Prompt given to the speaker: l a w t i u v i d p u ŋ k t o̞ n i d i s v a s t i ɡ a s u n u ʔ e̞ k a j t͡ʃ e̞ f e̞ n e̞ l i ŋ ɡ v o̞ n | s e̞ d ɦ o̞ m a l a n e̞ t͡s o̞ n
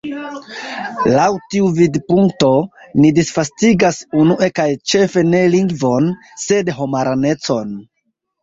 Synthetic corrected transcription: l a w t i u v i d p u ŋ k t o̞ n i d i s f a s t i ɡ a s u n u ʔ e̞ k a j t͡ʃ e̞ f e̞ n e̞ l i ŋ ɡ v o̞ n | s e̞ d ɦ o̞ m a ɾ a n e̞ t͡s o̞ n